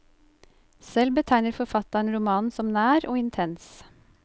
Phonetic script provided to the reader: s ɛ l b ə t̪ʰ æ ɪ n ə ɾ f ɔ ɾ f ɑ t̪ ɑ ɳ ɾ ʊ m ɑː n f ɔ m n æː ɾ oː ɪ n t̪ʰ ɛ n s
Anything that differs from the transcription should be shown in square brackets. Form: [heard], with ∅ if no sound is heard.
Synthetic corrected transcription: s ɛ l b ə t̪ʰ æ ɪ n ə ɾ f ɔ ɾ f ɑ t̪ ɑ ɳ ɾ ʊ m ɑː n [s] ɔ m n æː ɾ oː ɪ n t̪ʰ ɛ n s